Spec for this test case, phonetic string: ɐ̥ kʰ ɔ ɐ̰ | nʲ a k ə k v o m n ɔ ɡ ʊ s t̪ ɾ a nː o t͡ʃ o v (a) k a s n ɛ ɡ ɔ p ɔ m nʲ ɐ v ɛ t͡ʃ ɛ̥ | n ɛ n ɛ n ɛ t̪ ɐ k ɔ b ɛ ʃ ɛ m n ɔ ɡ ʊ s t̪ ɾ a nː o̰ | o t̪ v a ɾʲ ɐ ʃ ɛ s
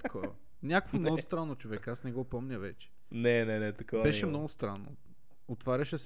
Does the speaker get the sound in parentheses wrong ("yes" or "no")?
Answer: yes